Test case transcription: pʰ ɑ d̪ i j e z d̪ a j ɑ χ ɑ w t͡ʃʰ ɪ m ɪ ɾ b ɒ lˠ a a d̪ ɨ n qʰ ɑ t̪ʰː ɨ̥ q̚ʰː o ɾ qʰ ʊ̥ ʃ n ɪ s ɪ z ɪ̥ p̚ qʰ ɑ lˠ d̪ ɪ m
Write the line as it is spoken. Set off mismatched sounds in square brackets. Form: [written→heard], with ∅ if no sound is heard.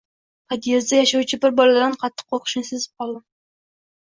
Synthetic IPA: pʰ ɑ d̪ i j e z d̪ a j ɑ [χ→ʃ] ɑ w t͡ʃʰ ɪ [m→b] ɪ ɾ b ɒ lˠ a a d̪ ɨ n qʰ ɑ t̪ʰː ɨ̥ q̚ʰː o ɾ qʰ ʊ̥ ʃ n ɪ s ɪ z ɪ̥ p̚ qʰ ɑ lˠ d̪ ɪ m